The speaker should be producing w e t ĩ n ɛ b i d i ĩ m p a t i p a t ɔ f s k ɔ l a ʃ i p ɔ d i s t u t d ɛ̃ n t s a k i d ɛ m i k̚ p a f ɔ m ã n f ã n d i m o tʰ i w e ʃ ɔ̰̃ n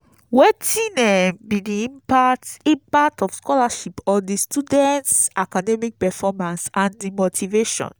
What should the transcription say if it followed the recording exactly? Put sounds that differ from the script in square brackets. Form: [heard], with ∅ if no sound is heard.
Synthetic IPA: w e t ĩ n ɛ b i d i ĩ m p a t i p a t ɔ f s k ɔ l a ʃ i p ɔ d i s t u [∅] d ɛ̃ n t s a k [a] d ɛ m i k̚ p [ɛ] f ɔ m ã n [s] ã n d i m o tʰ i [v] e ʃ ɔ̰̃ n